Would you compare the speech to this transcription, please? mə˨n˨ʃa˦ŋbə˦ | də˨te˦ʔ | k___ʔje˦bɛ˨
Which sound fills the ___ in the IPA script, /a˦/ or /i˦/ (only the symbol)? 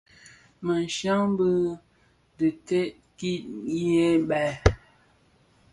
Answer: i˦